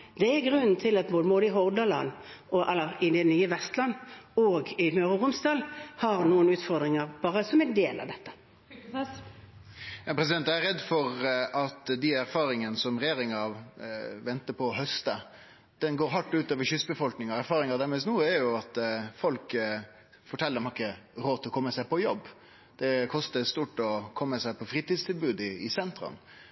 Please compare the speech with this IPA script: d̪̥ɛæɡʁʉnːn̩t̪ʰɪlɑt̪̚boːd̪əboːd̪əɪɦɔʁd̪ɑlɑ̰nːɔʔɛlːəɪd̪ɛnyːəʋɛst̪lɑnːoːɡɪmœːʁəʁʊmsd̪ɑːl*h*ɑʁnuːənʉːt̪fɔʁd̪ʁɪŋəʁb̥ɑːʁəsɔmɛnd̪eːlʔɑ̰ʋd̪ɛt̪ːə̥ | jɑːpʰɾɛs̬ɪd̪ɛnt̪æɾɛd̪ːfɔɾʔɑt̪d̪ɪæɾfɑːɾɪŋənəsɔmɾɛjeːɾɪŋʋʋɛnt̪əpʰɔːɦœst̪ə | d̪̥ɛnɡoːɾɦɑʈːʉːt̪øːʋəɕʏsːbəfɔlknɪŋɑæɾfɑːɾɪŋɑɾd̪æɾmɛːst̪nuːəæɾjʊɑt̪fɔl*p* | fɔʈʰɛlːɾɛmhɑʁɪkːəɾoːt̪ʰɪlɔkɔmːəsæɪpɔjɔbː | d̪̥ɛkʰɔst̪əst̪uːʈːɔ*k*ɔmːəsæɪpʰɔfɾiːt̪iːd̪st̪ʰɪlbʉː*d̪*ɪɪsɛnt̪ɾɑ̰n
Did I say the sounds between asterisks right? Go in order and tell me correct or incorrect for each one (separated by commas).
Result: correct, incorrect, incorrect, correct